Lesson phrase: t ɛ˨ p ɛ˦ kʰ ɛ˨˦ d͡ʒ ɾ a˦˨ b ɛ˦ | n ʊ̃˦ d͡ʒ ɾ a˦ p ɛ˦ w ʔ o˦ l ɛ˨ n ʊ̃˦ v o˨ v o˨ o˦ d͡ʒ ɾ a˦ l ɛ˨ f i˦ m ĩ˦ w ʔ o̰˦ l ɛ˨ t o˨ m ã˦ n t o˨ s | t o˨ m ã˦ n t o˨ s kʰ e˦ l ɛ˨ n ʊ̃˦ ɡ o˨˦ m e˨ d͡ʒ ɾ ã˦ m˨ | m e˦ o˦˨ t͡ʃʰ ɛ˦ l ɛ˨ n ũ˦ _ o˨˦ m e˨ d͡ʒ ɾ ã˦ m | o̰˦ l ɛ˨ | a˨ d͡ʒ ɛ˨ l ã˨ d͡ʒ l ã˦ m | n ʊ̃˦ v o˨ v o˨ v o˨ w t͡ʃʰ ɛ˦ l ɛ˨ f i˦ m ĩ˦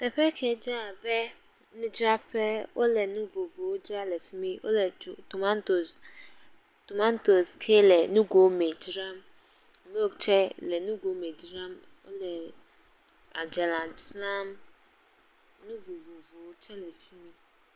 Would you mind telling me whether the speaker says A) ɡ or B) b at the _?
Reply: A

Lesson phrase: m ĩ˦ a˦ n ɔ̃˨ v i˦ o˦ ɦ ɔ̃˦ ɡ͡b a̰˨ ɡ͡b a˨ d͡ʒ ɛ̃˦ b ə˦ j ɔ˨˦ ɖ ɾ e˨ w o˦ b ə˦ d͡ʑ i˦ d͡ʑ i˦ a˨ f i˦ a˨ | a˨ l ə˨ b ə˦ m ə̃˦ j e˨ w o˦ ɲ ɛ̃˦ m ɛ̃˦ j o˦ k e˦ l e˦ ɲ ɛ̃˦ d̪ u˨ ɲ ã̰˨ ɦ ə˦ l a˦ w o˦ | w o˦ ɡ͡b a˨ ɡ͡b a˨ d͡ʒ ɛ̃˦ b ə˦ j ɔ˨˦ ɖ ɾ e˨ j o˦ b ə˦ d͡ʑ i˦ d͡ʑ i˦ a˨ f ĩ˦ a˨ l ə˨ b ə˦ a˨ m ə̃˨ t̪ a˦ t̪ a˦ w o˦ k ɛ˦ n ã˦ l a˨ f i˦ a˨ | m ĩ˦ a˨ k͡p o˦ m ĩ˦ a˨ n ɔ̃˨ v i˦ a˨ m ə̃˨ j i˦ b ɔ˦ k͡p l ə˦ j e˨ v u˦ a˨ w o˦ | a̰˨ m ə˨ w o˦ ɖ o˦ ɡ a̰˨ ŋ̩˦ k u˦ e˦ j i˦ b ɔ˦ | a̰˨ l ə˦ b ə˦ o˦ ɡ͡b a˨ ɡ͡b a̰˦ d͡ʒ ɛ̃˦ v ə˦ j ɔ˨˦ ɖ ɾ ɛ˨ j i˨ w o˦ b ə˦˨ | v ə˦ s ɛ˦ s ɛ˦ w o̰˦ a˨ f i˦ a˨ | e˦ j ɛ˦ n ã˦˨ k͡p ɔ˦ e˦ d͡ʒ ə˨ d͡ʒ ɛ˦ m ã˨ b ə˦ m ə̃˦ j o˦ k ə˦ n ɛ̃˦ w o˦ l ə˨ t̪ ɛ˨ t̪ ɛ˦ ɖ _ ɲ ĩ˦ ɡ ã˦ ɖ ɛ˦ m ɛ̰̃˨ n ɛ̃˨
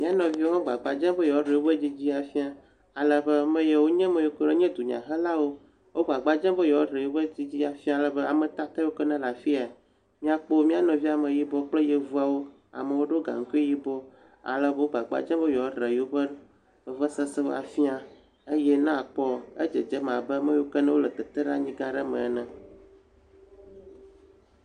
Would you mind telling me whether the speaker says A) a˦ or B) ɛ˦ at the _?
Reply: A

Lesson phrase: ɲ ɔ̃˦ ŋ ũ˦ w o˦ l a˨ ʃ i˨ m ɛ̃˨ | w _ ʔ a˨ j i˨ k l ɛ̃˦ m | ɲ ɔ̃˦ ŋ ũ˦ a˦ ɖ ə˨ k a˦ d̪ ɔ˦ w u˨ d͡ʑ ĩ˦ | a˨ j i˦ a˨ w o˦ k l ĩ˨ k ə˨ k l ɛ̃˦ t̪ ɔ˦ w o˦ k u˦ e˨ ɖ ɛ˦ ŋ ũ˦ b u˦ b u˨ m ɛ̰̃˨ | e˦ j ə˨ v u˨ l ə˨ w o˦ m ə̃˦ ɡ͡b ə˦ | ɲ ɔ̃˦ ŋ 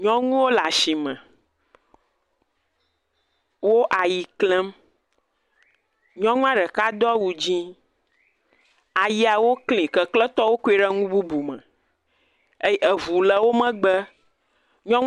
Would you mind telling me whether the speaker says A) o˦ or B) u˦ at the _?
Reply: A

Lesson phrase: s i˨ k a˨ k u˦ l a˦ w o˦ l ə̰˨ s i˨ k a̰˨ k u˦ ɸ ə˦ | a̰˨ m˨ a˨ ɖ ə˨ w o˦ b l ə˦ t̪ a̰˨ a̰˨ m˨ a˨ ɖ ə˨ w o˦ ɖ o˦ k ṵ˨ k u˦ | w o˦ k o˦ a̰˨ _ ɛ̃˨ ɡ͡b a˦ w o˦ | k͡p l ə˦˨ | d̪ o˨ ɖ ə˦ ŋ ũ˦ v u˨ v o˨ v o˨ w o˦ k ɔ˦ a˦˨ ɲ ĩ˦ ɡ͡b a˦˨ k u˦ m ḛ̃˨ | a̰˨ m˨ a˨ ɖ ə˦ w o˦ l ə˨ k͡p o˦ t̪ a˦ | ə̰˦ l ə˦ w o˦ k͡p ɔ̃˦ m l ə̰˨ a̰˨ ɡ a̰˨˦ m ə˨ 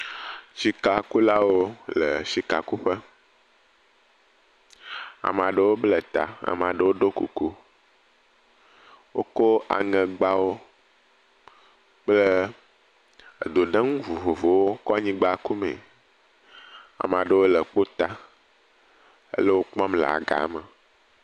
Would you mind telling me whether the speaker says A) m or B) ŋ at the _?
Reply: B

